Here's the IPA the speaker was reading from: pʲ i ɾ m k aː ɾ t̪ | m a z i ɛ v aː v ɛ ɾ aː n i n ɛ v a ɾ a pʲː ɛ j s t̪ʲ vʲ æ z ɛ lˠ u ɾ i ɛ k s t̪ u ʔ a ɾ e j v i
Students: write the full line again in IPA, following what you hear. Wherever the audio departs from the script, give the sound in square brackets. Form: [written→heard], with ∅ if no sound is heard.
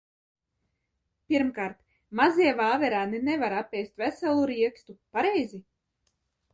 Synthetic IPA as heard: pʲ i ɾ m k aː ɾ t̪ | m a z i ɛ v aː v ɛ ɾ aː n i n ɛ v a ɾ a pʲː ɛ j s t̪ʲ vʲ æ [z→s] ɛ lˠ u ɾ i ɛ k s t̪ u [ʔ→p] a ɾ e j [v→z] i